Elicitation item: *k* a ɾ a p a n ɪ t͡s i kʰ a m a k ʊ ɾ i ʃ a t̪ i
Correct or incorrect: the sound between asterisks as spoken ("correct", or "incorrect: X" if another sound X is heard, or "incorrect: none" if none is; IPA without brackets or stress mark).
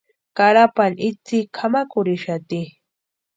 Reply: correct